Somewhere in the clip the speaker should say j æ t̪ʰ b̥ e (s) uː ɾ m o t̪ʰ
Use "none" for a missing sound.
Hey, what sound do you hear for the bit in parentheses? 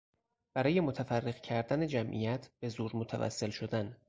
z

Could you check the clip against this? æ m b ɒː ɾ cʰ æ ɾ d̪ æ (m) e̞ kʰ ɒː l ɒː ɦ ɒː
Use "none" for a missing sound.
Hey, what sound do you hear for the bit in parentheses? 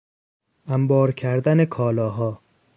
n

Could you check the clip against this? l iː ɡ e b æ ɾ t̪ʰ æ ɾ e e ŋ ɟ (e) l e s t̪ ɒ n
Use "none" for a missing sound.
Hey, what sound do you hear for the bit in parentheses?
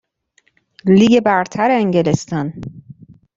e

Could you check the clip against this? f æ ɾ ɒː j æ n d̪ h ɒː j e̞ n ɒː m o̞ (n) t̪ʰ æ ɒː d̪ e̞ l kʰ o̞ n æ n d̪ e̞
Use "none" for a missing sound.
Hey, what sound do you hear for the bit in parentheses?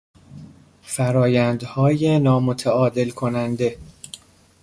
none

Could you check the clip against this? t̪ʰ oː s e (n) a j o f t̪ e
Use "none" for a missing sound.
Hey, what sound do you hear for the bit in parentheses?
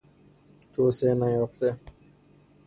n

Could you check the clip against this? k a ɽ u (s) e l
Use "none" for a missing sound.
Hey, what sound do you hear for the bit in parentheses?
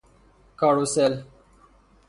s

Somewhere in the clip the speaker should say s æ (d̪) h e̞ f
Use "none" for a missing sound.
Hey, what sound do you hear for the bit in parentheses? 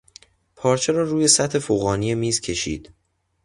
t̪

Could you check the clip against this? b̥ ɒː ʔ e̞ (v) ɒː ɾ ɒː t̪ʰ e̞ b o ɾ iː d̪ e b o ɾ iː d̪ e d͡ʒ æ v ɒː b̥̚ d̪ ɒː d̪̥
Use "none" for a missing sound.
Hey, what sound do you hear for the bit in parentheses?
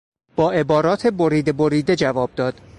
b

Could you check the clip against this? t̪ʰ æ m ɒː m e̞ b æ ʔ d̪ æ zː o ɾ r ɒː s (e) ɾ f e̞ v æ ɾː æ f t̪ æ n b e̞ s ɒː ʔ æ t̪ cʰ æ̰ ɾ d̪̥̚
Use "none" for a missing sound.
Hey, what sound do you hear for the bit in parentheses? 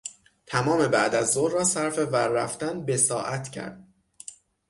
æ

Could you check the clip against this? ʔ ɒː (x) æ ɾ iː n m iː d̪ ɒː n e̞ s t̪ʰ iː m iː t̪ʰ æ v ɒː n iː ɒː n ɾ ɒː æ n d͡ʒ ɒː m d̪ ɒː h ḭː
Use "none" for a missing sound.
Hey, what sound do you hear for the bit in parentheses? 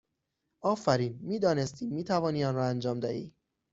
f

